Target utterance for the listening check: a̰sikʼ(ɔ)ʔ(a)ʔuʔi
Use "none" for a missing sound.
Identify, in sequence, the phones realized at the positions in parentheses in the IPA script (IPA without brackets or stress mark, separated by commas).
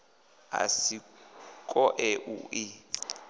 ɔ, ɛ